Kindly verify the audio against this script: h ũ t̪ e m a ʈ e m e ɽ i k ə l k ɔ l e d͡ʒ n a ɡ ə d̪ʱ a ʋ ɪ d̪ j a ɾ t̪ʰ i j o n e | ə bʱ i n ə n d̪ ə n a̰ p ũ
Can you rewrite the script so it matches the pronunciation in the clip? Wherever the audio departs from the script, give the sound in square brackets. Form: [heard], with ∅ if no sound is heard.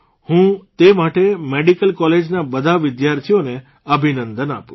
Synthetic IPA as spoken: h ũ t̪ e m a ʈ e m e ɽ i k ə l k ɔ l e d͡ʒ n a [b] ə d̪ʱ a ʋ ɪ d̪ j a ɾ t̪ʰ i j o n e | ə bʱ i n ə n d̪ ə n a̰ p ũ